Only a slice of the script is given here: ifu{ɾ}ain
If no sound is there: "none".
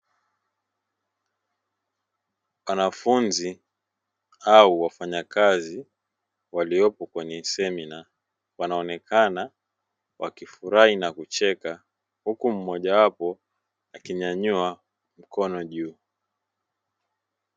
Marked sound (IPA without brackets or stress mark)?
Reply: ɾ